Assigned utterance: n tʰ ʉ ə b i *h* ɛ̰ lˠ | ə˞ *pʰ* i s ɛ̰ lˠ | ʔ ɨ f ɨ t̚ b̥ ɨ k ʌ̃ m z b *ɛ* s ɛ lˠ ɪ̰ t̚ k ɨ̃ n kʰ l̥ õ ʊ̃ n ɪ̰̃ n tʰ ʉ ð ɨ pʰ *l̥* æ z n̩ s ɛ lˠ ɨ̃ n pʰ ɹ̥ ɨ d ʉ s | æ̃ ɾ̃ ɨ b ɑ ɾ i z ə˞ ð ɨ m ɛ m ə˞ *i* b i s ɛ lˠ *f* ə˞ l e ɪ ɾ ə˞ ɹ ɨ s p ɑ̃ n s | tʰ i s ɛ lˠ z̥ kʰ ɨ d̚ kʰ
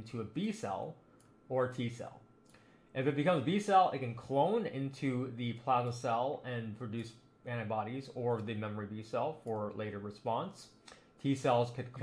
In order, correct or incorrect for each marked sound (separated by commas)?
incorrect, incorrect, incorrect, correct, correct, correct